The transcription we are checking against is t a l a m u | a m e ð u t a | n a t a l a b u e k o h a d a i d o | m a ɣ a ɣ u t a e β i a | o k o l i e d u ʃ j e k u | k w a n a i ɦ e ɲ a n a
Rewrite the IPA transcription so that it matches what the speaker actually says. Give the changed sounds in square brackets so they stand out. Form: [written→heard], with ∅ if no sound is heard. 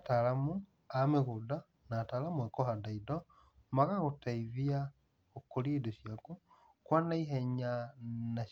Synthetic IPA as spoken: t a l a m u | a m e [ð→ɣ] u [t→d] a | n a t a l a [b→m] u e k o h a d a i d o | m a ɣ a ɣ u t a [e→i] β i a | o k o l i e d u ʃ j [e→a] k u | k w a n a i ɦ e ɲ a n a

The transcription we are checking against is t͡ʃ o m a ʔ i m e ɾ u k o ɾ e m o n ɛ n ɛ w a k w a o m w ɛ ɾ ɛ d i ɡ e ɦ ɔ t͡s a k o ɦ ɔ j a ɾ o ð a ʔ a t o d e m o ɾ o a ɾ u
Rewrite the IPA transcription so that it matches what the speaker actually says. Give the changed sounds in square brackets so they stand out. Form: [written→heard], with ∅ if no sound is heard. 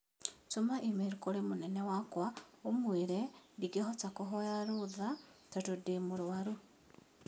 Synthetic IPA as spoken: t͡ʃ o m a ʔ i m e ɾ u k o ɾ e m o n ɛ n ɛ w a k w a o m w [ɛ→e] ɾ ɛ d i ɡ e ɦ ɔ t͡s a k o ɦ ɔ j a ɾ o ð a [ʔ→t] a t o d e m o ɾ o a ɾ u

